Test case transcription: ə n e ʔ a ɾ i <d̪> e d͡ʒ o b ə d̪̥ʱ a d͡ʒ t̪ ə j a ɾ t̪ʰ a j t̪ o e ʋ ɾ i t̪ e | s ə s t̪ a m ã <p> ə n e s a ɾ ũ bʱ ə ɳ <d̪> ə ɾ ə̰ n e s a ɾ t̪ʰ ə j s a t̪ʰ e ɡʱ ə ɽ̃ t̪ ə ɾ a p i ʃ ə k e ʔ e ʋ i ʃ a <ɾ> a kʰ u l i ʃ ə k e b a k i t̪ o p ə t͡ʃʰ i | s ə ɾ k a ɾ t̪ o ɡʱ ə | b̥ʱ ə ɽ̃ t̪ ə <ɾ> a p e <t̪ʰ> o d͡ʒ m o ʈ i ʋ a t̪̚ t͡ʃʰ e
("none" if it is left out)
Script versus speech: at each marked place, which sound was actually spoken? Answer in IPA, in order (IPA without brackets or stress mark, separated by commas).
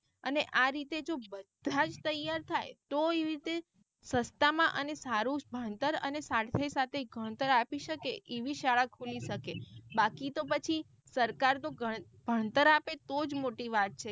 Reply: t̪, ʔ, t̪, ɭ, ɾ, t̪